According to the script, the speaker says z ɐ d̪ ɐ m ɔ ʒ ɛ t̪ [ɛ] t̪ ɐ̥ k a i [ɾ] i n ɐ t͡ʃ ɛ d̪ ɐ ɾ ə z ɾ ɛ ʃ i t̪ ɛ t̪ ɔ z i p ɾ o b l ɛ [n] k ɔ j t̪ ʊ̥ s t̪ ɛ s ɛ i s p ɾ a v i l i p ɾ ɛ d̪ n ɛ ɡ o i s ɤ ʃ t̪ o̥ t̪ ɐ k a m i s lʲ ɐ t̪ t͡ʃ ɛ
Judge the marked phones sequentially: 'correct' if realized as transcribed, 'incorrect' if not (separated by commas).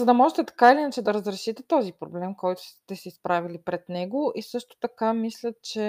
correct, incorrect, incorrect